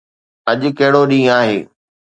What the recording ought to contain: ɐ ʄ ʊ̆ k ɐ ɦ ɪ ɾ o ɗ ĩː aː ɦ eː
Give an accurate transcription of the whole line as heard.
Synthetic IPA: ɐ ʄ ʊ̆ k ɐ ɦ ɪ ɽ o ɗ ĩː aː ɦ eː